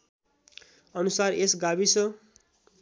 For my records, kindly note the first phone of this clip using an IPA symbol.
ʌ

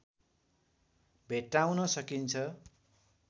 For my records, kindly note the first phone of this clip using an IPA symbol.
bʱ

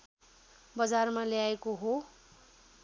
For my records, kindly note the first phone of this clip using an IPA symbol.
b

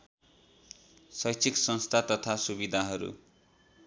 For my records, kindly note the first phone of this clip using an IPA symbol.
s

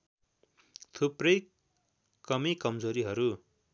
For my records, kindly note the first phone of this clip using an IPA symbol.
t̪ʰ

